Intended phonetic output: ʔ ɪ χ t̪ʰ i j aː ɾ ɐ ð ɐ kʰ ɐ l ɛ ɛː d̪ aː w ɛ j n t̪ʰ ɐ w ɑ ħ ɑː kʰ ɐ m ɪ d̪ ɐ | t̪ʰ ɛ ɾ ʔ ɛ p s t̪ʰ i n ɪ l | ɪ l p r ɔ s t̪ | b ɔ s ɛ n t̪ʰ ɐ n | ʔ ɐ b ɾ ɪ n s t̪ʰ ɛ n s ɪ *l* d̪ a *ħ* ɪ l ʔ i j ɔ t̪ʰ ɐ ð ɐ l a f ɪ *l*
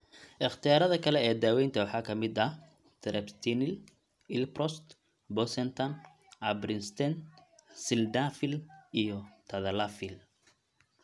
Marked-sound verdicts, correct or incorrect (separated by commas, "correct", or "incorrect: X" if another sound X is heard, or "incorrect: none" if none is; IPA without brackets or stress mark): correct, incorrect: f, correct